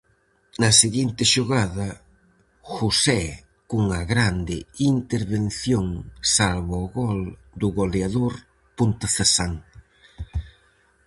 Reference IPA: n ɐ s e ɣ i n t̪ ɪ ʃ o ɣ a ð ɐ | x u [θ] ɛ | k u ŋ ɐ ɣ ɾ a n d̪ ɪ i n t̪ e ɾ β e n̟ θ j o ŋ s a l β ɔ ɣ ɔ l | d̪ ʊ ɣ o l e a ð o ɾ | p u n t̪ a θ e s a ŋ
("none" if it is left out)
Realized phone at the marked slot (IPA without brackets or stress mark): s